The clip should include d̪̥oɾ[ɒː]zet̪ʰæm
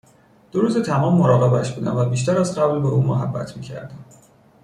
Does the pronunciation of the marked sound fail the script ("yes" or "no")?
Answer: yes